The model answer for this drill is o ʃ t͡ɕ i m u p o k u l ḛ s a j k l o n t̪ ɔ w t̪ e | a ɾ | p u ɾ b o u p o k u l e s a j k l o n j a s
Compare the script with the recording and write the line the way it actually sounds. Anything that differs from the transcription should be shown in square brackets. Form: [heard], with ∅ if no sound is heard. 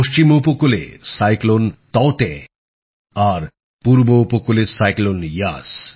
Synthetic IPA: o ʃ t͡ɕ i m u p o k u l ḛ s a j k l o n t̪ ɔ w t̪ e | a ɾ | p u ɾ b o u p o k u l e s a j k l o n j a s